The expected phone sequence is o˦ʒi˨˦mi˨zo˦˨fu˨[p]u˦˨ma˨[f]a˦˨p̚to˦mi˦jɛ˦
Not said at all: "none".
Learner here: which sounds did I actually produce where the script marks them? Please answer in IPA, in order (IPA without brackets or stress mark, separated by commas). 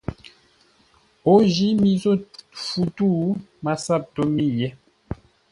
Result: t, s